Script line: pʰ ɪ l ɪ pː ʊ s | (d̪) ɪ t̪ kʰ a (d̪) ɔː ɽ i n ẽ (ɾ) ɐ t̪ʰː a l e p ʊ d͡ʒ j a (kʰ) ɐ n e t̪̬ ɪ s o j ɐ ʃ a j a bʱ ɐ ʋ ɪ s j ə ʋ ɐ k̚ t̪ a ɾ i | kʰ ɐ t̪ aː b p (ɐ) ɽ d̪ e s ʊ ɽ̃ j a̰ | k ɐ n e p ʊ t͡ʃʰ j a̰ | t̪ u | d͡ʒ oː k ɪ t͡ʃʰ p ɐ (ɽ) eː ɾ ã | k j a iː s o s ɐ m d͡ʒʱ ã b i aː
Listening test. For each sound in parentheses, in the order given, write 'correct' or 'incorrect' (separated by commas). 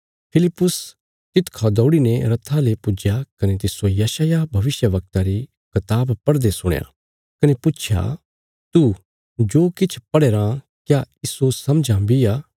incorrect, correct, correct, incorrect, correct, correct